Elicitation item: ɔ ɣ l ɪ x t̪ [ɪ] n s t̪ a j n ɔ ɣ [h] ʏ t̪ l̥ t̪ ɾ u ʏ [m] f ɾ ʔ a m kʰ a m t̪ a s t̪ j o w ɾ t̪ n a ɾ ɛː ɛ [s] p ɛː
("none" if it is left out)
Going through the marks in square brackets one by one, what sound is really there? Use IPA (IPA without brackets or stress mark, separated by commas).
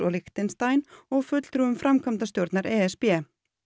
ɪ, f, m, s